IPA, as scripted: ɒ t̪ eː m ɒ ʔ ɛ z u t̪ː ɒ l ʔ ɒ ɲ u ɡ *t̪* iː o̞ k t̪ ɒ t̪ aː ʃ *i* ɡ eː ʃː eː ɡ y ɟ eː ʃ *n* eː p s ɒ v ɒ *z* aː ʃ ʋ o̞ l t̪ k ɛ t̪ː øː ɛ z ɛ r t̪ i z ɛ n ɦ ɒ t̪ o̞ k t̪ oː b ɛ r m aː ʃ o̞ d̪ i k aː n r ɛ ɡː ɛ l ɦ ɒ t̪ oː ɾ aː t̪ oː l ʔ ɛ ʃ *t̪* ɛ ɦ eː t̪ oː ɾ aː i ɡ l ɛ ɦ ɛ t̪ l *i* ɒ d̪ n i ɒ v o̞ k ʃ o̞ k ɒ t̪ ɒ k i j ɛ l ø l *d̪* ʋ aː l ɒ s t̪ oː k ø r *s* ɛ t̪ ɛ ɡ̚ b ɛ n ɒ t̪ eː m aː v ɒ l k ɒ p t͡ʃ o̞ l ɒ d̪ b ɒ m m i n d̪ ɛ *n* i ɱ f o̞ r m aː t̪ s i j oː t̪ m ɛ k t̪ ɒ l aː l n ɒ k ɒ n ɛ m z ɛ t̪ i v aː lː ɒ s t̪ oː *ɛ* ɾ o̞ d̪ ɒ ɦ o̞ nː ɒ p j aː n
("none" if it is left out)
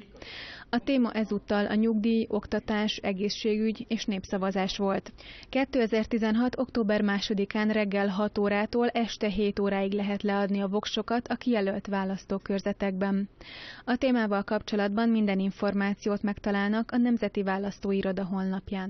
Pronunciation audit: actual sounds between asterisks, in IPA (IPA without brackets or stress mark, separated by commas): d̪, ɛ, n, z, t̪, ɛ, t̪, z, n, i